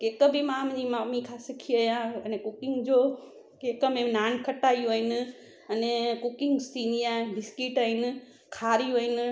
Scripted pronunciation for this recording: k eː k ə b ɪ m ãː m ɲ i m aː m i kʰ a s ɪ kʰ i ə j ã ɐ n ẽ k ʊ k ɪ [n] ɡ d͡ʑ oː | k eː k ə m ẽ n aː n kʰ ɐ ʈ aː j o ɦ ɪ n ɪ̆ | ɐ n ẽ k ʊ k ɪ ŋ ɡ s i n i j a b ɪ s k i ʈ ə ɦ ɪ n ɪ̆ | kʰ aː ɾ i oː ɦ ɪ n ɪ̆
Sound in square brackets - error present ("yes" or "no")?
yes